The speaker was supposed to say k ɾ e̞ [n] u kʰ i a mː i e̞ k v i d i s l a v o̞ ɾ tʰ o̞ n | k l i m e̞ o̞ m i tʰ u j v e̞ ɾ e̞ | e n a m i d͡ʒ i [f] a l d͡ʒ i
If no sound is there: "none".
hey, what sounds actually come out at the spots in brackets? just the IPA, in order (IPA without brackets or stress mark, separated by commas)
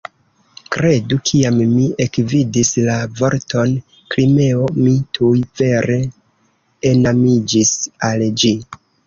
d, s